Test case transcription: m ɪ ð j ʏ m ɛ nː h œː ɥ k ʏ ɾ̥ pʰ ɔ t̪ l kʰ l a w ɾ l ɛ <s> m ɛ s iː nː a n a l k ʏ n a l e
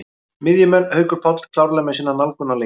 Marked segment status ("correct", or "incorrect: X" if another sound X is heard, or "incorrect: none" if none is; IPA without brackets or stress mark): incorrect: none